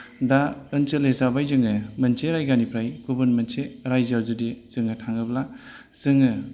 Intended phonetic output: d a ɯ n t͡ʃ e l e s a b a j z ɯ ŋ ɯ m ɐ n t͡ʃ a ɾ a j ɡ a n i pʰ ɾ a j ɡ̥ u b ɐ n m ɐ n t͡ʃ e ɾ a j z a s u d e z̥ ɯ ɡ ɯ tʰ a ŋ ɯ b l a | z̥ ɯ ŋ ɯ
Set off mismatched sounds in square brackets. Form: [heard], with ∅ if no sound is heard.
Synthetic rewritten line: d a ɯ n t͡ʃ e l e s a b a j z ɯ ŋ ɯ m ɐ n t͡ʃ [e] ɾ a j ɡ a n i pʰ ɾ a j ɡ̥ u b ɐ n m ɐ n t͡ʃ e ɾ a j z a [z] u d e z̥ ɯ [ŋ] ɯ tʰ a ŋ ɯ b l a | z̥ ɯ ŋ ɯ